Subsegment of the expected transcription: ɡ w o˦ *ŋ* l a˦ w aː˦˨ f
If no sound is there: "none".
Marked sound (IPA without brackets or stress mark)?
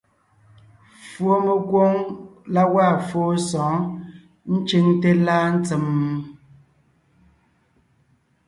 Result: ŋ